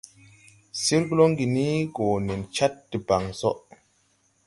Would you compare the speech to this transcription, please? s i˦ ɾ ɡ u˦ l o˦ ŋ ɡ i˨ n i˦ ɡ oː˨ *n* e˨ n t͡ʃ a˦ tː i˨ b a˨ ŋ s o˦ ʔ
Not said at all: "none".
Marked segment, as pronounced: n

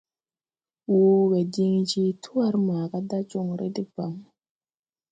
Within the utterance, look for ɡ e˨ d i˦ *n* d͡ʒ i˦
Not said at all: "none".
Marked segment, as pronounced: ŋ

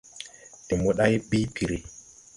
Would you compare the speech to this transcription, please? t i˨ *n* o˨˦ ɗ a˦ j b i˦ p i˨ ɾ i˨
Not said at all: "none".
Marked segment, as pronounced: m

